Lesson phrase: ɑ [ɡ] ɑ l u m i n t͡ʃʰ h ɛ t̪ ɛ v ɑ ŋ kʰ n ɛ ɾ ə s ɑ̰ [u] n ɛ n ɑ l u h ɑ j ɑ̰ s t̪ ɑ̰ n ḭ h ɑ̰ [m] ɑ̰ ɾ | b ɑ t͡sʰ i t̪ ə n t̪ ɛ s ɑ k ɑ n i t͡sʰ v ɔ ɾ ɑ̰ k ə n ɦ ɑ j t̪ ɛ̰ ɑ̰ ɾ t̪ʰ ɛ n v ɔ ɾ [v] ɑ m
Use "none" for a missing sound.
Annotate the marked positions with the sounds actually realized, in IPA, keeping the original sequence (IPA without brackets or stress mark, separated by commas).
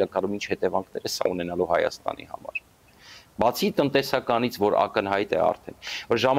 k, u, m, ʒ